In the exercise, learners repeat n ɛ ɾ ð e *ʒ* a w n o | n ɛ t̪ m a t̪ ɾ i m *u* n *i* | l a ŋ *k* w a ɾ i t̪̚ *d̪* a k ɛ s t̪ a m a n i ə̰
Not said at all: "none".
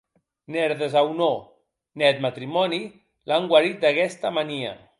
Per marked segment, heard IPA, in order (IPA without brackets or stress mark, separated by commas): z, ɔ, i, ɡ, d̪